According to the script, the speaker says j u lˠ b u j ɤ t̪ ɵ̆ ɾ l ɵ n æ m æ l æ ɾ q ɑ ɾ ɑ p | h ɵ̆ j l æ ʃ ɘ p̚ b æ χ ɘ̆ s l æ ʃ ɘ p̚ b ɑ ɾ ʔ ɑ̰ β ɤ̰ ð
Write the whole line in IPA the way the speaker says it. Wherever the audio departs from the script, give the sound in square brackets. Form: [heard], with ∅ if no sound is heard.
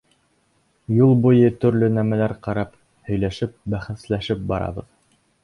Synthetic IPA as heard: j u lˠ b u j ɤ t̪ ɵ̆ ɾ l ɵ n æ m æ l æ ɾ q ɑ ɾ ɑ p | h ɵ̆ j l æ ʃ ɘ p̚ b æ χ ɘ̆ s l æ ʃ ɘ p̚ b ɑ ɾ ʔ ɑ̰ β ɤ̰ ð